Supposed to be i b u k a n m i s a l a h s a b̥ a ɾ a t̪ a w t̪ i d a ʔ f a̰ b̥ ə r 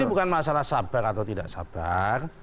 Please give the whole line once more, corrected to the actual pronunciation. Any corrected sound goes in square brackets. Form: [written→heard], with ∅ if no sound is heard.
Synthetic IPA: i b u k a n m [i→a] s a l a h s a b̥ a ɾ a t̪ a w t̪ i d a ʔ [f→s] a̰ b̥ [ə→a] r